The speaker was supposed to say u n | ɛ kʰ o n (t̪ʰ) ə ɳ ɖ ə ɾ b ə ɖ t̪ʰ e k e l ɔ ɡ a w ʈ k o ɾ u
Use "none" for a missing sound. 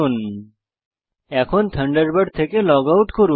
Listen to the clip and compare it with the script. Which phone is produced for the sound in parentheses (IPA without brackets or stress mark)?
t̪ʰ